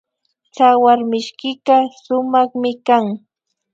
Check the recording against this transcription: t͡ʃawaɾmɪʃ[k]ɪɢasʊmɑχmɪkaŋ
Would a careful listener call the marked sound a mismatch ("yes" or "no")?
no